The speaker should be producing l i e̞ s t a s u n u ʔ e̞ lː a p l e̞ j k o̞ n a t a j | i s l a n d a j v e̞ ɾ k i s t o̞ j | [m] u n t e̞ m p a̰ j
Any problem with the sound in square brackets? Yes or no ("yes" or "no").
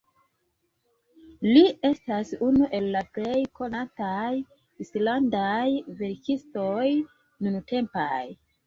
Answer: yes